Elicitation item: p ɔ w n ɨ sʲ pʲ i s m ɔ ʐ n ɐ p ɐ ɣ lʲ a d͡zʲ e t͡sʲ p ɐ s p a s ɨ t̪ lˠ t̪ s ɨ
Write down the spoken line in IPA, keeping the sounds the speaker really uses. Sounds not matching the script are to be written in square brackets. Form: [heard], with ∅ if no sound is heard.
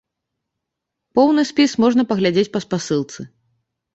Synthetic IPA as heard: p ɔ w n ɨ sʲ pʲ i s m ɔ ʐ n ɐ p ɐ ɣ lʲ a d͡zʲ e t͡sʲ p ɐ s p a s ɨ [∅] lˠ t̪ s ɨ